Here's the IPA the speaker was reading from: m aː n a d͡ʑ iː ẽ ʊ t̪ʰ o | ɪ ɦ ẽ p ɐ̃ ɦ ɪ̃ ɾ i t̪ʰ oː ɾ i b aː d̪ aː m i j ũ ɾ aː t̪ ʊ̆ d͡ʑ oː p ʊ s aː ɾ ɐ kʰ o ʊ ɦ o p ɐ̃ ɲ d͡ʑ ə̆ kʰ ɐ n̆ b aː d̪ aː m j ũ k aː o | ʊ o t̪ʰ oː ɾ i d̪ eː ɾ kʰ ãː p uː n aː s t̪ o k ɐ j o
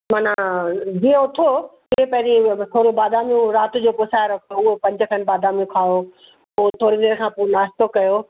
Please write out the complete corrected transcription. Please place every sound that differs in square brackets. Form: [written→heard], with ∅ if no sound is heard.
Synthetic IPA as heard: m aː n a d͡ʑ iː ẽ ʊ t̪ʰ o | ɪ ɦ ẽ p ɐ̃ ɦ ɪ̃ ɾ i t̪ʰ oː ɾ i b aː d̪ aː m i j ũ ɾ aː t̪ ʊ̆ d͡ʑ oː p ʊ s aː ɾ ɐ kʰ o ʊ ɦ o p ɐ̃ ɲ d͡ʑ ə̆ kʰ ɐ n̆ b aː d̪ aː m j ũ [k→kʰ] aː o | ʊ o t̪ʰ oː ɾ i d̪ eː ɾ kʰ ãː p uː n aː s t̪ o k ɐ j o